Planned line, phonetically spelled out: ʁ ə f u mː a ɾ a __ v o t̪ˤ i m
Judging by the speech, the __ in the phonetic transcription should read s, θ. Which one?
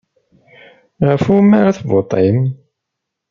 θ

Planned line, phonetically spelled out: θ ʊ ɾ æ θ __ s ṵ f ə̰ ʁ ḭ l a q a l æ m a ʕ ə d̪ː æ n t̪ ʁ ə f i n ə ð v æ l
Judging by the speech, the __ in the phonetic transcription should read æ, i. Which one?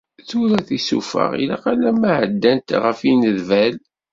i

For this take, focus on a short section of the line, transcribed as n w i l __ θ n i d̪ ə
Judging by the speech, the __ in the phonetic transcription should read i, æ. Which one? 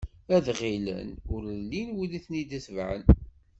i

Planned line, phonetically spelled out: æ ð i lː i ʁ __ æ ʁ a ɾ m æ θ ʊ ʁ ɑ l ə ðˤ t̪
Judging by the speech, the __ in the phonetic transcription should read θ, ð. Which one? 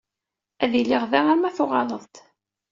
ð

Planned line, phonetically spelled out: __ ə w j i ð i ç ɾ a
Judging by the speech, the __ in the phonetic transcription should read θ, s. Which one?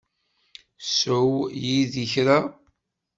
s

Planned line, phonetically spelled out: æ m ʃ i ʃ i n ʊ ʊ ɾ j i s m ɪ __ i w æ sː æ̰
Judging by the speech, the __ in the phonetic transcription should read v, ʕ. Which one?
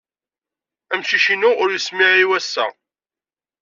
ʕ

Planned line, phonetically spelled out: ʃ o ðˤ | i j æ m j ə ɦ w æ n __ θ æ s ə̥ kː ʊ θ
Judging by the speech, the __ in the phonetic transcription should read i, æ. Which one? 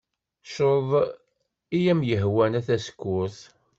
æ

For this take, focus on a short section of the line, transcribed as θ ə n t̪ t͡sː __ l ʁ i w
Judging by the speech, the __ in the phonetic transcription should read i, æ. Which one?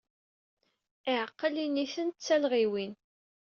æ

